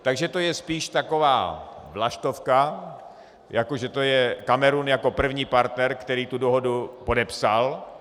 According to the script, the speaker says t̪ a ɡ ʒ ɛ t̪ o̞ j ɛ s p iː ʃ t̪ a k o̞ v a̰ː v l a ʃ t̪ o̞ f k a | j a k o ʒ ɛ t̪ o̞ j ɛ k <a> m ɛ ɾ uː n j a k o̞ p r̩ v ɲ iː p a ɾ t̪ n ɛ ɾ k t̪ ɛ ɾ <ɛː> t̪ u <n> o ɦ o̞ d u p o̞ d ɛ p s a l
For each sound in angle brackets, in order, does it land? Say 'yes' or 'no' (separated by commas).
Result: yes, no, no